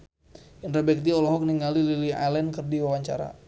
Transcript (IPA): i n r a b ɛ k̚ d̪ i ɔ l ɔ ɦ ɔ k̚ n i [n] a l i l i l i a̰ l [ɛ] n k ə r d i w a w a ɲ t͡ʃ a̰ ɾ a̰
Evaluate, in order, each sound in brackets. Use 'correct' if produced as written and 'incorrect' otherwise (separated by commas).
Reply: incorrect, correct